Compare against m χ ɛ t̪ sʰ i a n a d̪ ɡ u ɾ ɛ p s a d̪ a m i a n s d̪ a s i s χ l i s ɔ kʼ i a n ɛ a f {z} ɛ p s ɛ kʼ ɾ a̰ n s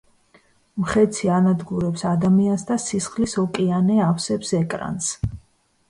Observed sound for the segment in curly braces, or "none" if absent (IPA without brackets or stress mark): s